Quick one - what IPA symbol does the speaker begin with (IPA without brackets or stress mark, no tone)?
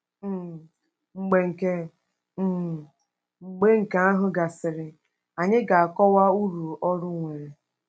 ŋ͡m̩